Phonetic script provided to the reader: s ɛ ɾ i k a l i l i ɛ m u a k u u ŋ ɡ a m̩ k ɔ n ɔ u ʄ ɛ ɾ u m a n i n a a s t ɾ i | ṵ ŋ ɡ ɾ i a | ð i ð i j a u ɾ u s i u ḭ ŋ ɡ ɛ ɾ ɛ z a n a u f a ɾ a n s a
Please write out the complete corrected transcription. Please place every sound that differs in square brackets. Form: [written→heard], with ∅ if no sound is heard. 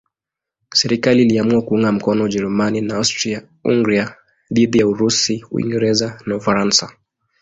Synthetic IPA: s ɛ ɾ i k a l i l i [ɛ→a] m u a k u u ŋ ɡ a m̩ k ɔ n ɔ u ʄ ɛ ɾ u m a n i n a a s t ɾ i | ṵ ŋ ɡ ɾ i a | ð i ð i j a u ɾ u s i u ḭ ŋ ɡ ɛ ɾ ɛ z a n a u f a ɾ a n s a